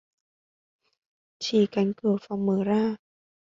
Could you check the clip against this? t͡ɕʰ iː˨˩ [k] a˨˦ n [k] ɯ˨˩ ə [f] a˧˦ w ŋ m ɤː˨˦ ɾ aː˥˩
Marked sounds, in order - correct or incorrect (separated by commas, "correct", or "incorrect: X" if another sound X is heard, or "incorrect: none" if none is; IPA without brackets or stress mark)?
correct, correct, correct